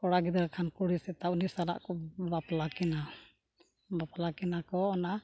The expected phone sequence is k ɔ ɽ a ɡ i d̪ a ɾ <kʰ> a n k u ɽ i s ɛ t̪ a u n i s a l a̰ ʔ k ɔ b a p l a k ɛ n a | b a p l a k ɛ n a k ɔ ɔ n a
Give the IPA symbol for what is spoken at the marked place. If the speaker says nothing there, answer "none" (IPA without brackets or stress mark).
kʰ